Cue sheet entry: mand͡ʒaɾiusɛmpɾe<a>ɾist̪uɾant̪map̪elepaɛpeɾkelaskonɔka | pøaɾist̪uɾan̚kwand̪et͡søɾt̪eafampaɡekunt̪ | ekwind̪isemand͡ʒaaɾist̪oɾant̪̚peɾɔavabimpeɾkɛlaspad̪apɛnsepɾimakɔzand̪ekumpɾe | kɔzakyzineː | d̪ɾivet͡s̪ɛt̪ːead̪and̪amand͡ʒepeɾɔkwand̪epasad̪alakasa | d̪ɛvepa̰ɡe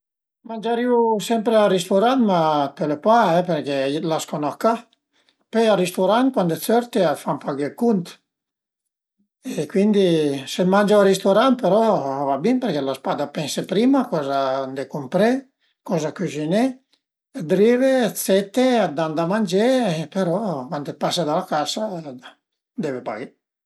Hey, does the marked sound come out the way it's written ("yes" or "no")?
yes